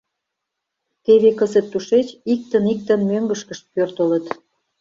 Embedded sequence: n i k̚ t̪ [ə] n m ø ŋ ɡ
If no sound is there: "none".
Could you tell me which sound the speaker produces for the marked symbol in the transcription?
ə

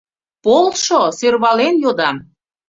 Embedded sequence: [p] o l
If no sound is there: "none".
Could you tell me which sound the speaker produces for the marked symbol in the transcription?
p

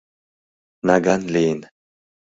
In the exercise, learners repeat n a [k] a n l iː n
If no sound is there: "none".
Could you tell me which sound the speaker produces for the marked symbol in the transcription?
ɡ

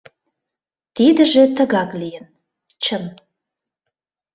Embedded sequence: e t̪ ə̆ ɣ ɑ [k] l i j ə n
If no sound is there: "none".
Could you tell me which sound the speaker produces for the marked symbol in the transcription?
k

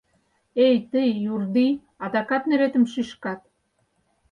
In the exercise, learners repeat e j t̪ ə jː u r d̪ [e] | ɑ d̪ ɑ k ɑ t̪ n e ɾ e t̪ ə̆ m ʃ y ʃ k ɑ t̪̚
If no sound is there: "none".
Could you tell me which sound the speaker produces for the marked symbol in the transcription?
i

